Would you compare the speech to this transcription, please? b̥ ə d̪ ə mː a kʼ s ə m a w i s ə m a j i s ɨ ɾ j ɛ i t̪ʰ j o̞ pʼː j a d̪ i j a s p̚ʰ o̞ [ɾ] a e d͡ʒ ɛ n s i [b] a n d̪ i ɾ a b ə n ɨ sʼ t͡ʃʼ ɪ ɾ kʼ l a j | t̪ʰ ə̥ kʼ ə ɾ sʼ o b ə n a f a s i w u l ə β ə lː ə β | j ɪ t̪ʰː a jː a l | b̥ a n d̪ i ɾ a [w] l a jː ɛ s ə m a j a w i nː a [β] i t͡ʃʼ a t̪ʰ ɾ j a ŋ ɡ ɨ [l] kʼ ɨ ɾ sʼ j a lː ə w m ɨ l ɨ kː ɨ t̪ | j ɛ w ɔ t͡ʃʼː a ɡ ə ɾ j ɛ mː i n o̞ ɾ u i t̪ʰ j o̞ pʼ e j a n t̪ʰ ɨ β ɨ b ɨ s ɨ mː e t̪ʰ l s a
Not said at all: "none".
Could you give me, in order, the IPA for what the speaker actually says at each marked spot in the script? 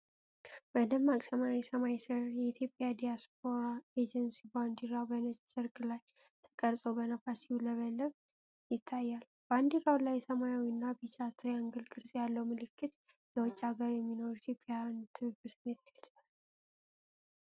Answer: ɾ, b, w, b, l

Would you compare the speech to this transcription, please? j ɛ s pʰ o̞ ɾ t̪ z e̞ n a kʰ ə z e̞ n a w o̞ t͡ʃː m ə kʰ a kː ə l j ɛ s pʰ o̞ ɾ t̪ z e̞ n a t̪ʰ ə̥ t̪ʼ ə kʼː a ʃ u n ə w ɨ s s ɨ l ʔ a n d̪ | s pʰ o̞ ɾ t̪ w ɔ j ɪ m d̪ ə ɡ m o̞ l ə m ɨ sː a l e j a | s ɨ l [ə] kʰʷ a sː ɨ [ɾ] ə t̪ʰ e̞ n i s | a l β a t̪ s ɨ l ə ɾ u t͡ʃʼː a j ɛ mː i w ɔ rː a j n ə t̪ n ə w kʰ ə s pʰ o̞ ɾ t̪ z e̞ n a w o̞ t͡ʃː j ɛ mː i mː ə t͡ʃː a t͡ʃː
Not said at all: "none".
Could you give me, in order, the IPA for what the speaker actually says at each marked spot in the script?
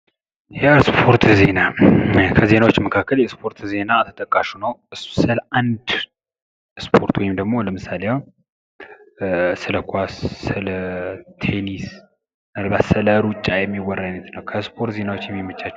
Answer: ə, l

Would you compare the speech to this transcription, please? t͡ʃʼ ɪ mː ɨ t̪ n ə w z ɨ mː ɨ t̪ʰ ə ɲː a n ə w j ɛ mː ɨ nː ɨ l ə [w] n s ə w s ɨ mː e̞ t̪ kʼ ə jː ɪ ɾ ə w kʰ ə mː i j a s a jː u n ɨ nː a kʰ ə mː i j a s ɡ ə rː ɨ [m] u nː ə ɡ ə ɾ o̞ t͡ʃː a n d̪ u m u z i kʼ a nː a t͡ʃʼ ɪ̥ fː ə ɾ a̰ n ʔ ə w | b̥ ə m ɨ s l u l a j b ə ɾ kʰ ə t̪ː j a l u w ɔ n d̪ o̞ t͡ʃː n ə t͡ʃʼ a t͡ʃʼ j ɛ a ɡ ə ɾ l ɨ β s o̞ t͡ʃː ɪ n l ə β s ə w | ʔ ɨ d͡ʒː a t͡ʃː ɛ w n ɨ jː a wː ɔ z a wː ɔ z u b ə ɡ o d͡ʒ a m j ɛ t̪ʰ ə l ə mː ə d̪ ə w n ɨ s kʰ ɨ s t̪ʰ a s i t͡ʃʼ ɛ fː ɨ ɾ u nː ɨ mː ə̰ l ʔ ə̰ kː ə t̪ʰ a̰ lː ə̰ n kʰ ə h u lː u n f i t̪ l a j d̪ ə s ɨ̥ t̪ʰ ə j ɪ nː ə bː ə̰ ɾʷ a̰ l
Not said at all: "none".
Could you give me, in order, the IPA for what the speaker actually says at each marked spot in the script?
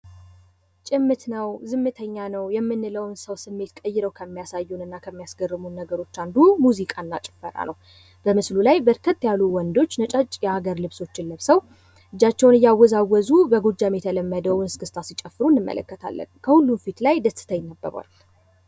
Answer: w, m

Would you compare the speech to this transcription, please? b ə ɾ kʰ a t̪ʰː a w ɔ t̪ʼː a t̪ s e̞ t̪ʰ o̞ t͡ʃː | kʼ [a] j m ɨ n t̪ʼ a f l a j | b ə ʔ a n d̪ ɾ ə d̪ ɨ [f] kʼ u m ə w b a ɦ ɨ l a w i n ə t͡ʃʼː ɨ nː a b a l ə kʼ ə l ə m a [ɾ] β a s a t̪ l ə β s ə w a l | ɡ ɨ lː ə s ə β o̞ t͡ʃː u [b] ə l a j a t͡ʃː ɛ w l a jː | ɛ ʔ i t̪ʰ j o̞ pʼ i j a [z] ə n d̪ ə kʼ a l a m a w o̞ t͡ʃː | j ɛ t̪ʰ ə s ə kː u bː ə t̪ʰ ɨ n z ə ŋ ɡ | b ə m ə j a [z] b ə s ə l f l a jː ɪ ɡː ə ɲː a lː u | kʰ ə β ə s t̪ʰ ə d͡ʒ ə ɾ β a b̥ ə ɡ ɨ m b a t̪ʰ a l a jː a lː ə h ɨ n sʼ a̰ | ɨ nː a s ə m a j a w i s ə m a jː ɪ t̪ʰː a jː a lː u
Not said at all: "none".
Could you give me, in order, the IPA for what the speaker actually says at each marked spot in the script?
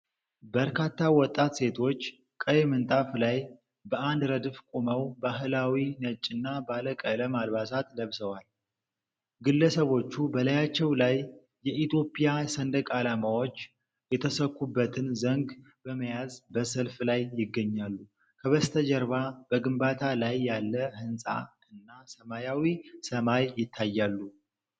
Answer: ə, f, l, b, s, z

